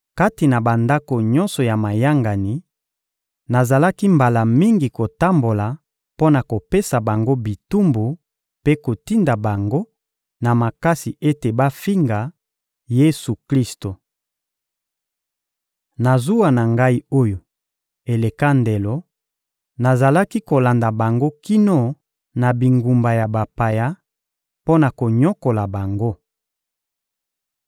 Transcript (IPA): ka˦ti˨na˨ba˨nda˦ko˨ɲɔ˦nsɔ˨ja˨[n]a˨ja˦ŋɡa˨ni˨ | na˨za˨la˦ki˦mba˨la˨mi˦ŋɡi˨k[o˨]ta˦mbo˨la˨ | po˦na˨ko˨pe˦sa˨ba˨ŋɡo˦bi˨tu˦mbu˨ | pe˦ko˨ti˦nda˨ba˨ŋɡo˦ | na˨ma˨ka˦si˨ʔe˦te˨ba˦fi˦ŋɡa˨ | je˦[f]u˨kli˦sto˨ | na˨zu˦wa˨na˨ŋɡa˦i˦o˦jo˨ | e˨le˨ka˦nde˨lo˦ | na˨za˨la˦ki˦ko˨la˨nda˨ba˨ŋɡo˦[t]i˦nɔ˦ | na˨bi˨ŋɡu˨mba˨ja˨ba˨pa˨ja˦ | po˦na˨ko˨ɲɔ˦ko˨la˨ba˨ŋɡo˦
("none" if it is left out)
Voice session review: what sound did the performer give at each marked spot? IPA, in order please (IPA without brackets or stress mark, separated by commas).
m, o˨, s, k